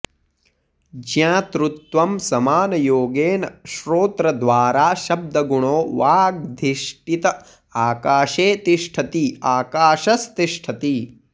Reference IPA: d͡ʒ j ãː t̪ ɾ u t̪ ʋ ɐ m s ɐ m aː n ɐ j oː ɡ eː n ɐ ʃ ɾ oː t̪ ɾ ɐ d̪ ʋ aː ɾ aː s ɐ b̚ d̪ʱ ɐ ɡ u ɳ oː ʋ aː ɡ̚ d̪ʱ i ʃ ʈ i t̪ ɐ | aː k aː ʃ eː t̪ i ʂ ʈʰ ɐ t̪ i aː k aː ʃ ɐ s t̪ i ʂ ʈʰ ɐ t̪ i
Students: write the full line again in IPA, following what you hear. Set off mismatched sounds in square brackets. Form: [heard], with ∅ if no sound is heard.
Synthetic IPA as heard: d͡ʒ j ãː t̪ ɾ u t̪ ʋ ɐ m s ɐ m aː n ɐ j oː ɡ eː n ɐ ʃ ɾ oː t̪ ɾ ɐ d̪ ʋ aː ɾ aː [ʃ] ɐ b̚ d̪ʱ ɐ ɡ u ɳ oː ʋ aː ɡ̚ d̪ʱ i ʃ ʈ i t̪ ɐ | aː k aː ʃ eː t̪ i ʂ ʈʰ ɐ t̪ i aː k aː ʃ ɐ s t̪ i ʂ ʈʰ ɐ t̪ i